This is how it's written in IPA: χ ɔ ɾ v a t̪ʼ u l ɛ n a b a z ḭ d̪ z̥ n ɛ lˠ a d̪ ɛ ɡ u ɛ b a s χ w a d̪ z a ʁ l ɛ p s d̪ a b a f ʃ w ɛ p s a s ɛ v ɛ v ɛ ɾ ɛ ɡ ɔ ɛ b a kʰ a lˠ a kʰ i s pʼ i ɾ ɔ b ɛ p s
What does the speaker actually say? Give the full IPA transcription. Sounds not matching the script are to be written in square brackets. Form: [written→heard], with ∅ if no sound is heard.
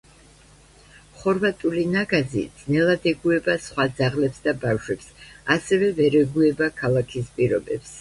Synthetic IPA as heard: χ ɔ ɾ v a t̪ʼ u l [ɛ→i] n a [b→ɡ] a z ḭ d̪ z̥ n ɛ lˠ a d̪ ɛ ɡ u ɛ b a s χ w a d̪ z a ʁ l ɛ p s d̪ a b a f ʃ w ɛ p s a s ɛ v ɛ v ɛ ɾ ɛ ɡ [ɔ→u] ɛ b a kʰ a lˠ a kʰ i s pʼ i ɾ ɔ b ɛ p s